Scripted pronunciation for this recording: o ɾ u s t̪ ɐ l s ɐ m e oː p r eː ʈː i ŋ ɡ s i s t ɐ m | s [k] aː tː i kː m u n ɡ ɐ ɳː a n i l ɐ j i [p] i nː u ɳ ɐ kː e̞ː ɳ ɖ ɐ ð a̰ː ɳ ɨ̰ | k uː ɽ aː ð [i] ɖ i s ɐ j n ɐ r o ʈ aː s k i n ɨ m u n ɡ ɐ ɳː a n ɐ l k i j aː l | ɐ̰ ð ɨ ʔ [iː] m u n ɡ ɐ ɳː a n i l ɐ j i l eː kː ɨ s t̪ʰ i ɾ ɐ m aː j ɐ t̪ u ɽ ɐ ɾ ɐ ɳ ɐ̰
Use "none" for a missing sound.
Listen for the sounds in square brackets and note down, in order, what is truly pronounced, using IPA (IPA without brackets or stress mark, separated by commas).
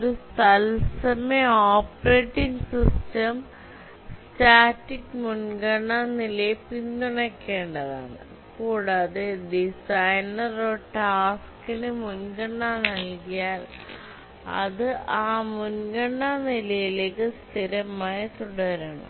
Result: t, p, e, aː